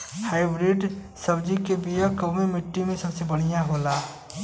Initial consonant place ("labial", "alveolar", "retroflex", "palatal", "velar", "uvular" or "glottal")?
glottal